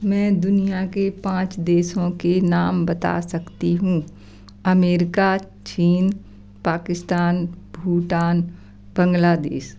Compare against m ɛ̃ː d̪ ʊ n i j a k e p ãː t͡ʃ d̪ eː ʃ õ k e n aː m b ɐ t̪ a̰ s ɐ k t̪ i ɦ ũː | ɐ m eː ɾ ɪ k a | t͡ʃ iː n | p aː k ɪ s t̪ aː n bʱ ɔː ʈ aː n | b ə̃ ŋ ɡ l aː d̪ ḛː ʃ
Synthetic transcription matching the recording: m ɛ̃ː d̪ ʊ n i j a k e p ãː t͡ʃ d̪ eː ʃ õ k e n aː m b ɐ t̪ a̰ s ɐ k t̪ i ɦ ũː | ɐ m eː ɾ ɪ k a | t͡ʃ iː n | p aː k ɪ s t̪ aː n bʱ uː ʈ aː n | b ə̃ ŋ ɡ l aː d̪ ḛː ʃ